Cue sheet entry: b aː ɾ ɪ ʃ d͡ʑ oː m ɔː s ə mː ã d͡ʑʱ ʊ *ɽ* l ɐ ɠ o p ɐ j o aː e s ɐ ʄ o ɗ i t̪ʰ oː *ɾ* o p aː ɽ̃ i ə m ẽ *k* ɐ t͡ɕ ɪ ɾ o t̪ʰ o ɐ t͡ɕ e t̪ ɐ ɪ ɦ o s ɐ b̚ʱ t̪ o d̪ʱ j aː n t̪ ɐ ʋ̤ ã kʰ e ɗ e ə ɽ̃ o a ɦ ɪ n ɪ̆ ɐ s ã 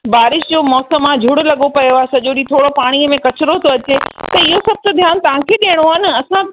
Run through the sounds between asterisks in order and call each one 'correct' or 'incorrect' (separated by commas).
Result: correct, incorrect, correct